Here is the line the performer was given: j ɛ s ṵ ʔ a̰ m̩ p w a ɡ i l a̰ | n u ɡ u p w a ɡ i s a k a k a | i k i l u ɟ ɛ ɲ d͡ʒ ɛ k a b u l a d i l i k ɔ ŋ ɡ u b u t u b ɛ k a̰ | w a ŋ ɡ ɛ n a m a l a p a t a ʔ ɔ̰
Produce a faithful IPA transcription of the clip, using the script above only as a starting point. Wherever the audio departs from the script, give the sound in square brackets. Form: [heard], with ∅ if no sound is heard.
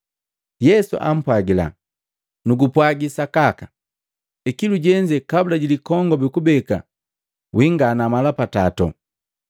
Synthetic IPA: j ɛ s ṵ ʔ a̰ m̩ p w a ɡ i l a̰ | n u ɡ u p w a ɡ i s a k a k a | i k i l u ɟ ɛ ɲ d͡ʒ ɛ k a b u l a [ɟ] i l i k ɔ ŋ ɡ [ɔ] b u [k] u b ɛ k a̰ | w [i] ŋ ɡ [a] n a m a l a p a t a [t] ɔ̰

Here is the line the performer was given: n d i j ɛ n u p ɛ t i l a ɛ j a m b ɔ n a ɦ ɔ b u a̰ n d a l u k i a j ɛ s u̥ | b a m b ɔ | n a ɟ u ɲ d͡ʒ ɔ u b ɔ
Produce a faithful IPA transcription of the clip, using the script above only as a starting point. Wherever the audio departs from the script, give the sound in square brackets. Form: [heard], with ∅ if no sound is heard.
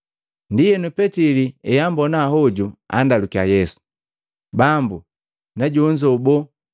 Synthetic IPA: n d i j ɛ n u p ɛ t i l [i] ɛ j a m b ɔ n a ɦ ɔ [ɟ] u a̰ n d a l u k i a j ɛ s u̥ | b a m b [u] | n a ɟ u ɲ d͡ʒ ɔ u b ɔ

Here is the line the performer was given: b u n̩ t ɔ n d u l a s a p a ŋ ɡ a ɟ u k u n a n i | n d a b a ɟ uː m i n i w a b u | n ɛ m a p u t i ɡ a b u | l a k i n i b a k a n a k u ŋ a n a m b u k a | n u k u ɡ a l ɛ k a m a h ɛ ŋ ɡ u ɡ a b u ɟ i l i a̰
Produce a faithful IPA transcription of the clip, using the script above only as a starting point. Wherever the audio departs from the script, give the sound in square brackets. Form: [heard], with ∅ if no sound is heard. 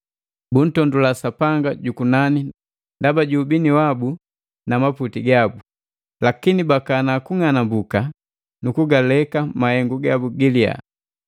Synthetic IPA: b u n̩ t ɔ n d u l a s a p a ŋ ɡ a ɟ u k u n a n i | n d a b a ɟ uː [b] i n i w a b u | n [a] m a p u t i ɡ a b u | l a k i n i b a k a n a k u ŋ a n a m b u k a | n u k u ɡ a l ɛ k a m a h ɛ ŋ ɡ u ɡ a b u [ɡ] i l i a̰

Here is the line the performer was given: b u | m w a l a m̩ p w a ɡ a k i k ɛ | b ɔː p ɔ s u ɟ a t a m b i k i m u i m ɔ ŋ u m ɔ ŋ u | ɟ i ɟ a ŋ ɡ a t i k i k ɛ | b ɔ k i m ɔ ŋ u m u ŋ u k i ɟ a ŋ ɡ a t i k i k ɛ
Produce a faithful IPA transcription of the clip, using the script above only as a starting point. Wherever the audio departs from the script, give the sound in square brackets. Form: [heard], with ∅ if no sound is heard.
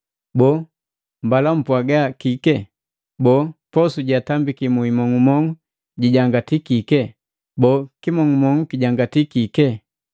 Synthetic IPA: b [ɔ] | m [b] a l a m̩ p w a ɡ a k i k ɛ | b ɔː p ɔ s u ɟ a t a m b i k i m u i m ɔ ŋ u m ɔ ŋ u | ɟ i ɟ a ŋ ɡ a t i k i k ɛ | b ɔ k i m ɔ ŋ u m [ɔ] ŋ u k i ɟ a ŋ ɡ a t i k i k ɛ

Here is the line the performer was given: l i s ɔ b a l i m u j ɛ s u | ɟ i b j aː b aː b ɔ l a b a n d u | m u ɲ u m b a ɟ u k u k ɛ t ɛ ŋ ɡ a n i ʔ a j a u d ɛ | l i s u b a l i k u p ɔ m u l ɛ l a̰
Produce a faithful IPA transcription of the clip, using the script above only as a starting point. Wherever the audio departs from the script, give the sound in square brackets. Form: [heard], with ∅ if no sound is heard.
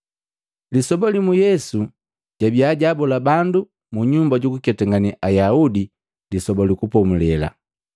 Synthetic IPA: l i s ɔ b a l i m u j ɛ s u | ɟ [a] b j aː [ɟ] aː b ɔ l a b a n d u | m u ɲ u m b a ɟ u k u k ɛ t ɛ ŋ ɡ a n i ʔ a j a u d [i] | l i s [ɔ] b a l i k u p ɔ m u l ɛ l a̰

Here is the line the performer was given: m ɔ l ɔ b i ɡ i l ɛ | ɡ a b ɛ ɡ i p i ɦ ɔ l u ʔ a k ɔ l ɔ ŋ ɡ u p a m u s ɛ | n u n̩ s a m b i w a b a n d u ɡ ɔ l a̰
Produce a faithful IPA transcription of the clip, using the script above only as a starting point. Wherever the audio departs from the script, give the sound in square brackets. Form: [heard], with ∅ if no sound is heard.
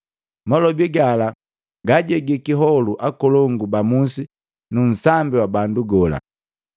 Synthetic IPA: m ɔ l ɔ b i ɡ [a] l [a] | ɡ a [ɟ] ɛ ɡ i [k] i ɦ ɔ l u ʔ a k ɔ l ɔ ŋ ɡ u [b] a m u s [i] | n u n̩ s a m b i w a b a n d u ɡ ɔ l a̰

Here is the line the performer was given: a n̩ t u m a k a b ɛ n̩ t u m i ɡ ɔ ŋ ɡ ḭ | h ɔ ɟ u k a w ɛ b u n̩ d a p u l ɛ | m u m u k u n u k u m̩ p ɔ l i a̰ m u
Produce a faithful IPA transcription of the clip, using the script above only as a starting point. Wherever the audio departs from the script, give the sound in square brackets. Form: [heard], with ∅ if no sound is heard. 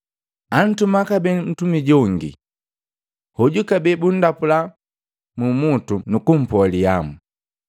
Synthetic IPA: a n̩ t u m a k a b ɛ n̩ t u m i [ɟ] ɔ ŋ ɡ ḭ | h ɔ ɟ u k a [b] ɛ b u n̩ d a p u l [a] | m u m u [t] u n u k u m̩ p ɔ l i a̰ m u

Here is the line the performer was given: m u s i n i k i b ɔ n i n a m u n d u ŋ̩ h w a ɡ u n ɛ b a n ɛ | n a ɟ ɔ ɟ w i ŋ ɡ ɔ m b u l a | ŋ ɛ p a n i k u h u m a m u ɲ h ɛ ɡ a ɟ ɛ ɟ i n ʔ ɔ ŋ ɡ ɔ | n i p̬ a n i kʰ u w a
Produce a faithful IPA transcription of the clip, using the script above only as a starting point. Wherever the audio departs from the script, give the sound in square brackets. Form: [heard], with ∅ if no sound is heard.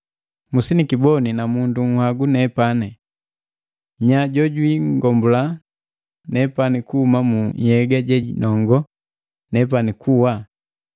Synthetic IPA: m u s i n i k i b ɔ n i n a m u n d u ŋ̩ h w a ɡ u n ɛ [p] a n ɛ | [ɲ] a ɟ ɔ ɟ w i ŋ ɡ ɔ m b u l a | [n] ɛ p a n i k u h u m a m u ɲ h ɛ ɡ a ɟ ɛ ɟ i n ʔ ɔ ŋ ɡ ɔ | n [ɛ] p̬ a n i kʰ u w a

